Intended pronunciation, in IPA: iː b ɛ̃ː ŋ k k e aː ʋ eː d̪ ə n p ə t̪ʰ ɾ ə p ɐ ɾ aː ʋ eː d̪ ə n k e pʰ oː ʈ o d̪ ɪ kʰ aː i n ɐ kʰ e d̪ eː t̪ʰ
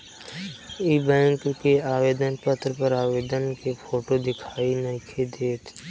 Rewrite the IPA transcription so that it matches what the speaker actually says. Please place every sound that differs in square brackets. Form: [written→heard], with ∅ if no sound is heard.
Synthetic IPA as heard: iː b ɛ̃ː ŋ k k e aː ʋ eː d̪ ə n p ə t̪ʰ ɾ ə p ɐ ɾ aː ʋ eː d̪ ə n k e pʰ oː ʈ o d̪ ɪ kʰ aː i n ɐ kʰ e d̪ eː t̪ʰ